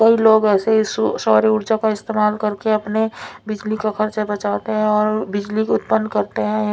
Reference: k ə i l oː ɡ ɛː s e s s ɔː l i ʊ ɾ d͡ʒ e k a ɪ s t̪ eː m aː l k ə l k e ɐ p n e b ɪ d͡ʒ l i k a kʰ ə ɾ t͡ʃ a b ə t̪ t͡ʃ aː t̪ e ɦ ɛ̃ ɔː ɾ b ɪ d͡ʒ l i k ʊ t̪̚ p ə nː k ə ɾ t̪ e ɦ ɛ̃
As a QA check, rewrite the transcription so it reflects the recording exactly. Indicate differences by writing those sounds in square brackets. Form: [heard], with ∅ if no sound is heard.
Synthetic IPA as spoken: k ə i l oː ɡ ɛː s e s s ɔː [ɾ] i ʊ ɾ d͡ʒ [a] k a ɪ s t̪ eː m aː l k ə [ɾ] k e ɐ p n e b ɪ d͡ʒ l i k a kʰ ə ɾ t͡ʃ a b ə [∅] t͡ʃ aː t̪ e ɦ ɛ̃ ɔː ɾ b ɪ d͡ʒ l i k ʊ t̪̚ p ə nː k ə ɾ t̪ e ɦ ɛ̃